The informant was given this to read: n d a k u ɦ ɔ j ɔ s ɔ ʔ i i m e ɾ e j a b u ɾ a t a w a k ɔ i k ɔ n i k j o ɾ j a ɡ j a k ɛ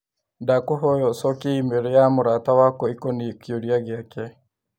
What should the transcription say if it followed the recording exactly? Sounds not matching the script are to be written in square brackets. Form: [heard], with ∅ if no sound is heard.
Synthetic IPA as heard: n d a k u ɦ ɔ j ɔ s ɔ [k] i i m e ɾ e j a [m] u ɾ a t a w a k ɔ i k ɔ n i k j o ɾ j a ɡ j a k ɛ